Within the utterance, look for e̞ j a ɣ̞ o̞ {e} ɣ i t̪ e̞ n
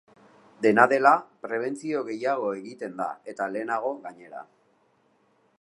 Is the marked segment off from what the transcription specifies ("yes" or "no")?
no